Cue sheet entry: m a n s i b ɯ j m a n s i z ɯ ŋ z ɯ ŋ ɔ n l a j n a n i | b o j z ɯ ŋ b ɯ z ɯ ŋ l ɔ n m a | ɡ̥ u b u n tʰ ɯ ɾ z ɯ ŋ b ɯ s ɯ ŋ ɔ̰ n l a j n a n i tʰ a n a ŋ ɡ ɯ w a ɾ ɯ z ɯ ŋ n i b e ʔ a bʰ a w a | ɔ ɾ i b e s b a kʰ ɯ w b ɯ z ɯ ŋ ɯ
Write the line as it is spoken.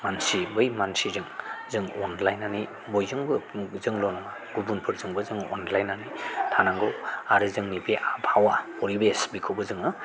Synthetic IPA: m a n s i b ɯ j m a n s i z ɯ ŋ z ɯ ŋ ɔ n l a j n a n i | b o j z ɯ ŋ b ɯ z ɯ ŋ l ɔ n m a | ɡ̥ u b u n pʰ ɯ ɾ z ɯ ŋ b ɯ z ɯ ŋ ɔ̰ n l a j n a n i tʰ a n a ŋ ɡ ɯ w a ɾ ɯ z ɯ ŋ n i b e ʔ a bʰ a w a | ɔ ɾ i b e s b i kʰ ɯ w b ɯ z ɯ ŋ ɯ